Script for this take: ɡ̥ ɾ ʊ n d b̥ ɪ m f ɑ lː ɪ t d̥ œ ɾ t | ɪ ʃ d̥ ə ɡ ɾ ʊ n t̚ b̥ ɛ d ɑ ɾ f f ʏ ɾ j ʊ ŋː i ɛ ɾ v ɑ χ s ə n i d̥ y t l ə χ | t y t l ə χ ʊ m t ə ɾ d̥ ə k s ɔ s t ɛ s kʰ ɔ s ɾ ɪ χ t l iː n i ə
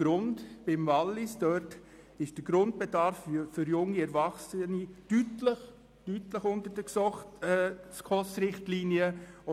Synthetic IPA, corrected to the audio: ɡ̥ ɾ ʊ n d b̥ ɪ m v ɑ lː ɪ s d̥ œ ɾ t | ɪ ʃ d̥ ə ɡ ɾ ʊ n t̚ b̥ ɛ d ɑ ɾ f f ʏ ɾ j ʊ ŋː i ɛ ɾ v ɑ χ s ə n i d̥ y t l ə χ | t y t l ə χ ʊ n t ə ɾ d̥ ə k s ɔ χ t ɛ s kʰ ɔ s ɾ ɪ χ t l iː n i ə